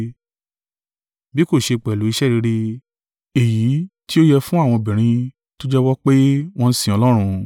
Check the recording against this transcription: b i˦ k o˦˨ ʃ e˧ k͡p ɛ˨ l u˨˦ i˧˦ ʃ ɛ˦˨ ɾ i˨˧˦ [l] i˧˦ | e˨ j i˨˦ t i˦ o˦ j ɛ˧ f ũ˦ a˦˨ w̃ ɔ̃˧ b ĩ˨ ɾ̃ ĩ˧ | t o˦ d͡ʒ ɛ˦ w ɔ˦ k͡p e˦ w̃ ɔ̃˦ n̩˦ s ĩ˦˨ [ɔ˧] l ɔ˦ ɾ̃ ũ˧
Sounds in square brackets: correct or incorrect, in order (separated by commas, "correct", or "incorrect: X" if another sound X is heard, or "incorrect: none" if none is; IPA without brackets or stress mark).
incorrect: ɾ, correct